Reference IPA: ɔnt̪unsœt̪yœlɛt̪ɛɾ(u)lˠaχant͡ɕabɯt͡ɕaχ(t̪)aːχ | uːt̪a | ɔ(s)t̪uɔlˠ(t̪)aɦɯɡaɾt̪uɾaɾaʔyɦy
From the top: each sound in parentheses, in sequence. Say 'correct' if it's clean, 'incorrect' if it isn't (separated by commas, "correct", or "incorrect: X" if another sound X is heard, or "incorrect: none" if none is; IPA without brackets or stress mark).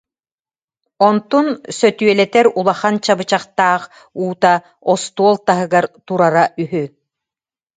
correct, correct, correct, correct